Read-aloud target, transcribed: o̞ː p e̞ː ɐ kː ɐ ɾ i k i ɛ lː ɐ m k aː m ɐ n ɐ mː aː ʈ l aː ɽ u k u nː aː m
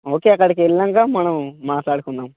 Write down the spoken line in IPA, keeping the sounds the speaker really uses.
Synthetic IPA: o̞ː k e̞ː ɐ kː ɐ ɽ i k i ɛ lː ɐ ŋ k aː m ɐ n ɐ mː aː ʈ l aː ɽ u k u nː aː m